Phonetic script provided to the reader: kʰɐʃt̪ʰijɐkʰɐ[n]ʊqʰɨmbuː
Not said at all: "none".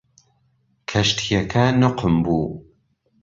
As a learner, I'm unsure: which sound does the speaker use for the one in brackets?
n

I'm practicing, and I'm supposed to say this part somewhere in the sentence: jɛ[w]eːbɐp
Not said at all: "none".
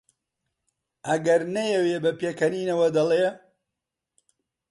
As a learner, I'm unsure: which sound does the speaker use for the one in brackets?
w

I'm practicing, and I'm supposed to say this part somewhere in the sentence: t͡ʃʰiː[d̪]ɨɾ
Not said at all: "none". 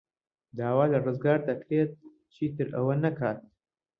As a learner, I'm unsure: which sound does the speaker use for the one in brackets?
t̪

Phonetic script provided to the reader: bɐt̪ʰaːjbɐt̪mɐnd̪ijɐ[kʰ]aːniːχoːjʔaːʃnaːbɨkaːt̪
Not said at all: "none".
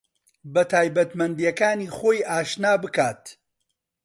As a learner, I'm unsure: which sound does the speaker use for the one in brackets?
k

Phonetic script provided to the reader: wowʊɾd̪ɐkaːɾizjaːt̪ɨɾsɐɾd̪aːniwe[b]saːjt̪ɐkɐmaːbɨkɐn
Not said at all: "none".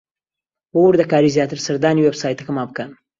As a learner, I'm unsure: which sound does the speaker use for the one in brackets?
b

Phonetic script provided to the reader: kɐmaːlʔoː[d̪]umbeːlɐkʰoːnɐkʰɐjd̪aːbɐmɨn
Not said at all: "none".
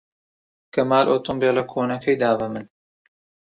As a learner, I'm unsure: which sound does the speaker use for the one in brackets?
t̪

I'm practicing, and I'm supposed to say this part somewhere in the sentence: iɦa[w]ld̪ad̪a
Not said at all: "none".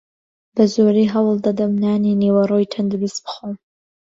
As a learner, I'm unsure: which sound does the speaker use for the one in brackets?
w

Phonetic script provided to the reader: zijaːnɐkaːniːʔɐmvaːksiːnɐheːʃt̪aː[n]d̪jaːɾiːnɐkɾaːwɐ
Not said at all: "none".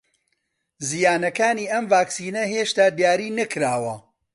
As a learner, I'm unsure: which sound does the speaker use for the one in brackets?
none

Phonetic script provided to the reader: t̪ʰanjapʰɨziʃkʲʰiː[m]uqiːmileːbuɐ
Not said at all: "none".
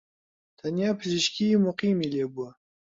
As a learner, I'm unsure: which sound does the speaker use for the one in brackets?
m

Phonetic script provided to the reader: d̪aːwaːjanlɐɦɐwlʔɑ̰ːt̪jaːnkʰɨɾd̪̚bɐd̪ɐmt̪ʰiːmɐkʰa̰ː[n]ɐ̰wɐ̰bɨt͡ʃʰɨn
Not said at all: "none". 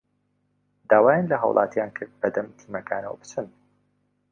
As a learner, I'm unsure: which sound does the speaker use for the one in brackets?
n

